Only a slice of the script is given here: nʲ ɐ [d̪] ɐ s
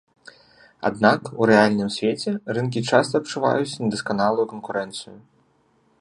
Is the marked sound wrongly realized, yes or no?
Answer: no